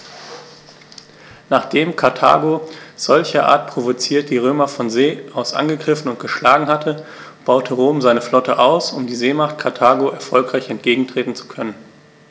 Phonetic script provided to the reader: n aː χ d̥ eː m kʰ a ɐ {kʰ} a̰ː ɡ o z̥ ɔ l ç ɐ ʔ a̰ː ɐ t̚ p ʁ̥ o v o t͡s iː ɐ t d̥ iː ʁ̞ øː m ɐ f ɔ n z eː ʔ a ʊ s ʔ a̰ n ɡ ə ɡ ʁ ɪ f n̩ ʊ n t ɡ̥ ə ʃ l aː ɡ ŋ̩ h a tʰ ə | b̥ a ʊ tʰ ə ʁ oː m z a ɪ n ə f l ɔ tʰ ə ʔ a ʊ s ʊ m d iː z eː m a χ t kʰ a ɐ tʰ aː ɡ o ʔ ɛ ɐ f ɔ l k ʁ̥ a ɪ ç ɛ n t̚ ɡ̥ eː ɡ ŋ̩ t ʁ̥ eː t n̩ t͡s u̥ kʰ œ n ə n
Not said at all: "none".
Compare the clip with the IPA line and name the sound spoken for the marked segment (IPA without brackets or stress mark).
tʰ